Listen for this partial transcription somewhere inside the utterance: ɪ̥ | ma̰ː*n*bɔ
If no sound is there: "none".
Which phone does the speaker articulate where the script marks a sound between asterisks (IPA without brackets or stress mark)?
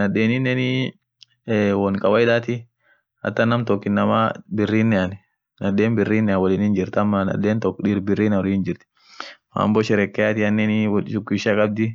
m